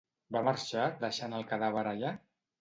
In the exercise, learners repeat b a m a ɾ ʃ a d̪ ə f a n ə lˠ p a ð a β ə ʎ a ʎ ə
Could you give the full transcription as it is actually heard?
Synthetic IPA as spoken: b a m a ɾ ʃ a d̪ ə ʃ a n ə lˠ k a ð a β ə ɾ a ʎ a

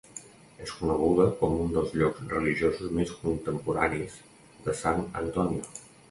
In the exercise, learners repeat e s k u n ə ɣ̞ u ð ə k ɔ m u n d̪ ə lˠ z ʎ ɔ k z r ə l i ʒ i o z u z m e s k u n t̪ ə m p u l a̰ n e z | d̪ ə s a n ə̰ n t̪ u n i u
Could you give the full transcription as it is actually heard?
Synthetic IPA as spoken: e s k u n ə ɣ̞ u ð ə k ɔ m u n d̪ ə lˠ z ʎ ɔ k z r ə l i ʒ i o z u z m e s k u n t̪ ə m p u ɾ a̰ n i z | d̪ ə s a n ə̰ n t̪ ɔ n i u

